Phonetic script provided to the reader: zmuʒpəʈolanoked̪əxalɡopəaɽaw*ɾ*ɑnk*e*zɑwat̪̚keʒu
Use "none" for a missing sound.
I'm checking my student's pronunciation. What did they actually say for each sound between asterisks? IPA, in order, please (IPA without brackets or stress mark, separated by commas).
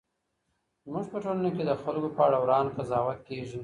ɾ, a